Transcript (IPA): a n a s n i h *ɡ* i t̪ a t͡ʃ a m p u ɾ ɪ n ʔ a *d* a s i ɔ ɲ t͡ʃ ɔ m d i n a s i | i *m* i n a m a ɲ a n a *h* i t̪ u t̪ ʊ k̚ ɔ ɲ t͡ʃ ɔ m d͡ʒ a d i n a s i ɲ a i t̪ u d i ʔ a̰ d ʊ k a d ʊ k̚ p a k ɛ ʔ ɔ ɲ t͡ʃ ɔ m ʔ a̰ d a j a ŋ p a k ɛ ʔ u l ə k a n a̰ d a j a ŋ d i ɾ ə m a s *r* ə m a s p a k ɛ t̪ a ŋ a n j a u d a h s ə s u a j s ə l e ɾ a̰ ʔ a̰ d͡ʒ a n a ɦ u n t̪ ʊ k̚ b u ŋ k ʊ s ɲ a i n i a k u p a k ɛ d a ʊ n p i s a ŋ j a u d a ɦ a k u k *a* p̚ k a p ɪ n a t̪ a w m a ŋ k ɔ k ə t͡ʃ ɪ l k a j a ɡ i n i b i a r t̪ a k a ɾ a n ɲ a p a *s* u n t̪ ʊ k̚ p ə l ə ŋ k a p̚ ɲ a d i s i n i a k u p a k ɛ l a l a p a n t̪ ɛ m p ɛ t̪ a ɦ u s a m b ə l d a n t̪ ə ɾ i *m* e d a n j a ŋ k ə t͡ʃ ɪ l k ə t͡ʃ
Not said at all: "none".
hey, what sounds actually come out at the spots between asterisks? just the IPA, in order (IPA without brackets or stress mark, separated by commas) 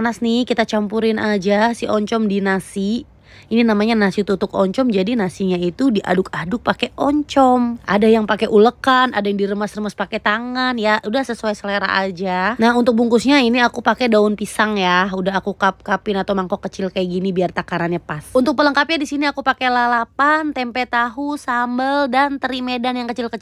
k, d͡ʒ, n, s, r, a, s, m